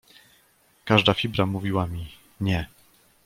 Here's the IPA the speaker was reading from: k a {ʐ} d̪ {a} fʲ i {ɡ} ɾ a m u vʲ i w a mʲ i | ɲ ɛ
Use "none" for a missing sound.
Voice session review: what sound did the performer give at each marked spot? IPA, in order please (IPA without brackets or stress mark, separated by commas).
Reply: ʐ, a, b